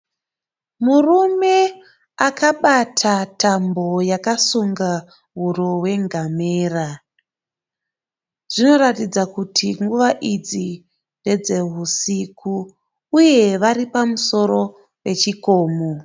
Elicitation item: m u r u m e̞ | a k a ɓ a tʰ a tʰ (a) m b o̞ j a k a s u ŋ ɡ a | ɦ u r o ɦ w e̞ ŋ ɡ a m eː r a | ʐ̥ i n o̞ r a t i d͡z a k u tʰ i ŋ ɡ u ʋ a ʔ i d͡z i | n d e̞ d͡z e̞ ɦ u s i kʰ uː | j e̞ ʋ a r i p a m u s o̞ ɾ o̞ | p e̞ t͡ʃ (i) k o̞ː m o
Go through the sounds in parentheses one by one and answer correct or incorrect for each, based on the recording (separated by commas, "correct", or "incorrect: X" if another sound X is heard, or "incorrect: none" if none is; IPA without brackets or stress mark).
correct, correct